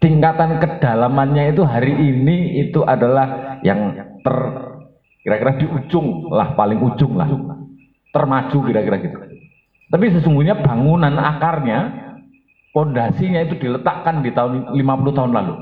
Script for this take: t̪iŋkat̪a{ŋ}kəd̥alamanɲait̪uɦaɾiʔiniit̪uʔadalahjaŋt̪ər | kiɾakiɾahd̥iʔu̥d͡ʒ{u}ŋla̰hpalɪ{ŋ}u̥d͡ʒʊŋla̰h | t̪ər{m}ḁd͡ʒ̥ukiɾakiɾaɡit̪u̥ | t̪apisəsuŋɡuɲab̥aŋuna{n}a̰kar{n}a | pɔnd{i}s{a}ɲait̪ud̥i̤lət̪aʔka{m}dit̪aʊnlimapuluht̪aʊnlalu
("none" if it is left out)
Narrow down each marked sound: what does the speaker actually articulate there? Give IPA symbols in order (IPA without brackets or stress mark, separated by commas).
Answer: n, ʊ, ŋ, m, n, ɲ, a, i, n